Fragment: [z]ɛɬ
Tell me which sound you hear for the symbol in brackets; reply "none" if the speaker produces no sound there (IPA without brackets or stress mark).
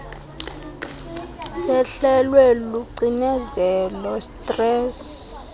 s